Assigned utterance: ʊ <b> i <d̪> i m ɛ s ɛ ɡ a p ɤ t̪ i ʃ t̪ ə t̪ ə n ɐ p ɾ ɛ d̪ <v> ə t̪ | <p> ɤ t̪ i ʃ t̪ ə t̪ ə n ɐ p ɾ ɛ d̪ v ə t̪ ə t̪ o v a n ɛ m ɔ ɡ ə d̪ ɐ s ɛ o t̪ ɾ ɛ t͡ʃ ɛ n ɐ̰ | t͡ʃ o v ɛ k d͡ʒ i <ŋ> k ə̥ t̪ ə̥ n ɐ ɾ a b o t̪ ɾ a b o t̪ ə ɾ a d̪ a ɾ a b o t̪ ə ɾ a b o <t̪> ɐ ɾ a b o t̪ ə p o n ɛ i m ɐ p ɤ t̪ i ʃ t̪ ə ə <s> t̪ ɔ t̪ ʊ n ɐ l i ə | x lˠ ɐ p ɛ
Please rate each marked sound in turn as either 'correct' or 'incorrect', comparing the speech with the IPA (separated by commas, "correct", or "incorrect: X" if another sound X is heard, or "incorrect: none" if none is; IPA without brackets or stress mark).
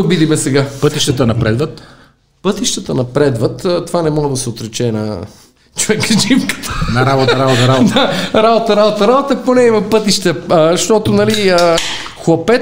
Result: correct, correct, correct, correct, incorrect: m, correct, incorrect: ʃ